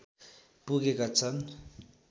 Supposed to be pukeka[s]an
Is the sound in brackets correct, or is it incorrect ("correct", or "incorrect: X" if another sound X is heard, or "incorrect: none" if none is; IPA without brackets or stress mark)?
incorrect: t͡s